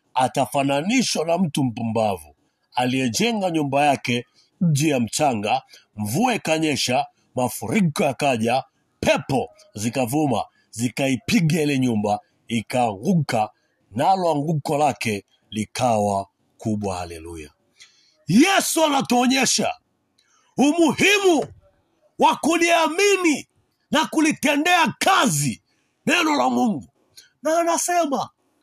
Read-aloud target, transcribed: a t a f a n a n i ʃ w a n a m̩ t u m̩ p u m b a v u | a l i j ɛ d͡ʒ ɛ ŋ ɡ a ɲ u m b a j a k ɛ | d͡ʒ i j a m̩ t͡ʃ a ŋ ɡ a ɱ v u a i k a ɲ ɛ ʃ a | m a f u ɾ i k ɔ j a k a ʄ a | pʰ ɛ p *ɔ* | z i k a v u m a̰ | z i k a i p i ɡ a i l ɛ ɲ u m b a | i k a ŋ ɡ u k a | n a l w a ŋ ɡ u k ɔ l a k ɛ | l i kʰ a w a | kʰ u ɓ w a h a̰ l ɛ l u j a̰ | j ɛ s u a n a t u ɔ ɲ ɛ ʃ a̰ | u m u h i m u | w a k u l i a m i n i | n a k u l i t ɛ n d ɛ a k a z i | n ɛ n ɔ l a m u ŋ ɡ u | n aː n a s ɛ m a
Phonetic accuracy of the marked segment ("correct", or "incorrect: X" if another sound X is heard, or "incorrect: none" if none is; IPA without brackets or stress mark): correct